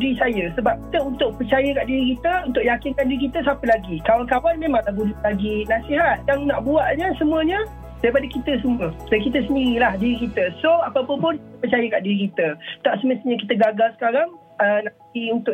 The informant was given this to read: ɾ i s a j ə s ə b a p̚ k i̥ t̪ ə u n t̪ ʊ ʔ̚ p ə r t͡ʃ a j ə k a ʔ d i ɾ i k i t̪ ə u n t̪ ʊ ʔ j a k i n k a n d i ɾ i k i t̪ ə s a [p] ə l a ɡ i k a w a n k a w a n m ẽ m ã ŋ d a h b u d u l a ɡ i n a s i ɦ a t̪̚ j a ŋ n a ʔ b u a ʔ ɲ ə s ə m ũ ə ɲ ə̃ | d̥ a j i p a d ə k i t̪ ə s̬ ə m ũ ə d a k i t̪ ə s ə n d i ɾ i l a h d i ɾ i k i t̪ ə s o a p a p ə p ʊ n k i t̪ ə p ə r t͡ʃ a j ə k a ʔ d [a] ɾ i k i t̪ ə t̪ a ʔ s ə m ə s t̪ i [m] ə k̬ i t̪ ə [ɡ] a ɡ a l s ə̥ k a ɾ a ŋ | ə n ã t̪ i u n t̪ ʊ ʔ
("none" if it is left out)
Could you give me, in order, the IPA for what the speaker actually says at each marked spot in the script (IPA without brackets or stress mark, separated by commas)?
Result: p, i, ɲ, ɡ